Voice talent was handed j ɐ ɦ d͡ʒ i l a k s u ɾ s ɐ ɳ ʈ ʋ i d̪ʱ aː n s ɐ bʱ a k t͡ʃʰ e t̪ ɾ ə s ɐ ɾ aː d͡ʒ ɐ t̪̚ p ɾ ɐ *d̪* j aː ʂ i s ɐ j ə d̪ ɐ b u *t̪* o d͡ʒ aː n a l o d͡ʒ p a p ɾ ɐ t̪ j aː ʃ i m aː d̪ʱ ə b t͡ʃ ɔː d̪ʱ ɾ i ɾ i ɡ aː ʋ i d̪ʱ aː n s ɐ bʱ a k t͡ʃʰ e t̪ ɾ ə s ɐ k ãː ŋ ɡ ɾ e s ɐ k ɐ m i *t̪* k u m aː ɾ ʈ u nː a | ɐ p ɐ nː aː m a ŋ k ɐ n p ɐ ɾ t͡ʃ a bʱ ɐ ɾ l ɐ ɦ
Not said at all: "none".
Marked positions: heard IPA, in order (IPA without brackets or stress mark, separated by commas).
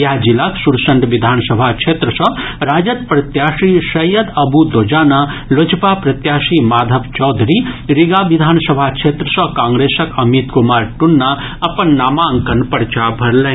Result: t̪, d̪, t̪